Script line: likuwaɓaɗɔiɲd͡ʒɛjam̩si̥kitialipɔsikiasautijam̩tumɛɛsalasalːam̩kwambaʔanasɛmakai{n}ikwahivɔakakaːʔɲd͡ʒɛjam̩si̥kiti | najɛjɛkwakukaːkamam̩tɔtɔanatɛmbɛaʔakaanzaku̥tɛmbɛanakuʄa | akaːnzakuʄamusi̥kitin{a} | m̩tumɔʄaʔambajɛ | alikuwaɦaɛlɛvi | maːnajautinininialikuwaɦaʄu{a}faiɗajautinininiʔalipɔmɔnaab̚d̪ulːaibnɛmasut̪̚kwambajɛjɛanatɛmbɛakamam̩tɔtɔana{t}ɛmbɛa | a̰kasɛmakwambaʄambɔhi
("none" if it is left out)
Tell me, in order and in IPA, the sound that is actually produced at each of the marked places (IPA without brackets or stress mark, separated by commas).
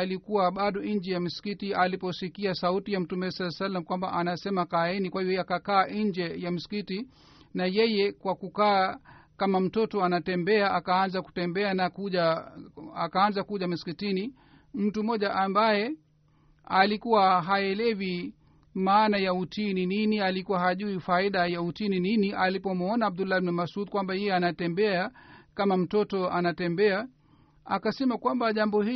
n, i, i, t